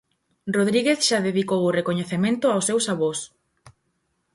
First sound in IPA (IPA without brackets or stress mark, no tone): r